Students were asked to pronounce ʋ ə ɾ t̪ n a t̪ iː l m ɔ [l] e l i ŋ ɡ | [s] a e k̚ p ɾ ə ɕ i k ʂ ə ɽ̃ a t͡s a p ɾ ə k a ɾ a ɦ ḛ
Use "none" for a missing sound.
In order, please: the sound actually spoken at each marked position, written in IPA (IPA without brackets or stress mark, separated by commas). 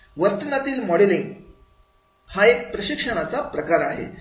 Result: ɽ, h